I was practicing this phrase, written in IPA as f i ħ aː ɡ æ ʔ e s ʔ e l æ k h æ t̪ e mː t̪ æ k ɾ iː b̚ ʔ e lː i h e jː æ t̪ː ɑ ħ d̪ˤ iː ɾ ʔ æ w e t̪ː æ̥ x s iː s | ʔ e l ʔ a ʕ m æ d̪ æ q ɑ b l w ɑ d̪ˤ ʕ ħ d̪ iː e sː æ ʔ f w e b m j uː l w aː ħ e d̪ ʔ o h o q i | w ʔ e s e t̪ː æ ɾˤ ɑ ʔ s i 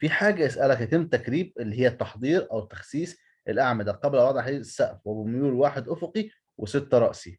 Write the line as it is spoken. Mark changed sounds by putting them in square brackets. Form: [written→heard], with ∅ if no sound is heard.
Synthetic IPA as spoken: f i ħ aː ɡ æ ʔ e s ʔ [e→æ] l æ k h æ t̪ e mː t̪ æ k ɾ iː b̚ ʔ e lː i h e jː æ t̪ː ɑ ħ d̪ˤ iː ɾ ʔ æ w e t̪ː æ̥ x s iː s | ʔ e l ʔ a ʕ m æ d̪ æ q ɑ b l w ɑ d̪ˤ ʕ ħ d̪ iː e sː æ ʔ f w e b m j uː l w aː ħ e d̪ ʔ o [h→f] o q i | w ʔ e s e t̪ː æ ɾˤ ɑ ʔ s i